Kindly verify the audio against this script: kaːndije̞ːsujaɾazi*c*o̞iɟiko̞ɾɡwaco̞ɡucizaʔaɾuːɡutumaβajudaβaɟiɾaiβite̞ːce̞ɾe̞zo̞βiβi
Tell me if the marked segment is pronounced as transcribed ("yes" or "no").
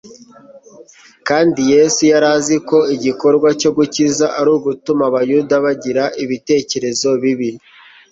no